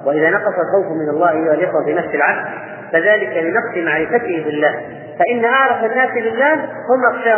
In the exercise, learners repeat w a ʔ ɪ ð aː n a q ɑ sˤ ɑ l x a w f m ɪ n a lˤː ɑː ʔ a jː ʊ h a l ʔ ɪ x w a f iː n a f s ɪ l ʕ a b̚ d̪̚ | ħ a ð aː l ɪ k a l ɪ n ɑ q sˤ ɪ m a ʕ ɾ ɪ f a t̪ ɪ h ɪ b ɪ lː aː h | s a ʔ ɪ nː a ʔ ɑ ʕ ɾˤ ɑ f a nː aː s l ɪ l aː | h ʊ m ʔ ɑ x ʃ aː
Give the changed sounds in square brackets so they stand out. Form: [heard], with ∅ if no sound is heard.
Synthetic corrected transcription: w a ʔ ɪ ð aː n [ɑ] q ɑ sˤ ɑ l x a w f m ɪ n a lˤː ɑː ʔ a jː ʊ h a l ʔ ɪ x w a f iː n a f s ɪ l ʕ a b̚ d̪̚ | [f] a ð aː l ɪ k a l ɪ n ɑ q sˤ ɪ m a ʕ ɾ ɪ f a t̪ ɪ h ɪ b ɪ lː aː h | [f] a ʔ ɪ nː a ʔ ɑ ʕ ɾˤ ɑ f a nː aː s l ɪ [lː] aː | h ʊ m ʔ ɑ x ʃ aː